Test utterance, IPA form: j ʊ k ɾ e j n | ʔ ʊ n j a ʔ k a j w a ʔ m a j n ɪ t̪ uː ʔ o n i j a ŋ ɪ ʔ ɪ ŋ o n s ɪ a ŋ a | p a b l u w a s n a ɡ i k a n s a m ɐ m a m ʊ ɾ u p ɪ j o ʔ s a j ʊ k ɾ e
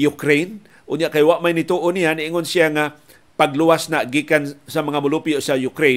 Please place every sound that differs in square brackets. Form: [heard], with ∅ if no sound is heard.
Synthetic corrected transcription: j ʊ k ɾ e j n | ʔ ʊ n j a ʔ k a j w a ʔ m a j n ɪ t̪ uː ʔ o n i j a [n] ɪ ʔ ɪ ŋ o n s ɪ a ŋ a | p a [ɡ] l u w a s n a ɡ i k a n s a m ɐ [ŋ] a m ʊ [l] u p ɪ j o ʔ s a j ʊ k ɾ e